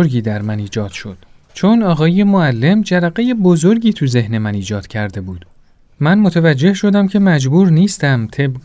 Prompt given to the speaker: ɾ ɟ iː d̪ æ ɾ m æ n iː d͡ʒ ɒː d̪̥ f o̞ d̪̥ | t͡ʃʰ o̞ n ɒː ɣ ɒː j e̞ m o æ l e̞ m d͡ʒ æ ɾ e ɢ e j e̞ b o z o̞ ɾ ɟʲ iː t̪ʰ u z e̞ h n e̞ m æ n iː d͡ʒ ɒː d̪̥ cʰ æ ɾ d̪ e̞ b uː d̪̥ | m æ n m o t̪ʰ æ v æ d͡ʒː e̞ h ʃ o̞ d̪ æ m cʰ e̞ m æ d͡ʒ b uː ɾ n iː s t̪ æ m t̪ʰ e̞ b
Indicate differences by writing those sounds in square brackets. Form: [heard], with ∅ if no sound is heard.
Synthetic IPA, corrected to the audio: ɾ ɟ iː d̪ æ ɾ m æ n iː d͡ʒ ɒː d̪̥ [ʃ] o̞ d̪̥ | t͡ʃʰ o̞ n ɒː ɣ ɒː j e̞ m o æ [lː] e̞ m d͡ʒ æ ɾ [æ] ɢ e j e̞ b o z o̞ ɾ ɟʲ iː t̪ʰ u z e̞ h n e̞ m æ n iː d͡ʒ ɒː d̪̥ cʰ æ ɾ d̪ e̞ b uː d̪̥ | m æ n m o t̪ʰ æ v æ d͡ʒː e̞ h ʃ o̞ d̪ æ m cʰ e̞ m æ d͡ʒ b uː ɾ n iː s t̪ æ m t̪ʰ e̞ b